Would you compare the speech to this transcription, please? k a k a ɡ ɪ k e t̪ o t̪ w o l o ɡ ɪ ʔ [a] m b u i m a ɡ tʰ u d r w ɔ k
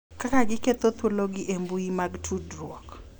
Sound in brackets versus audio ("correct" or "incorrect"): incorrect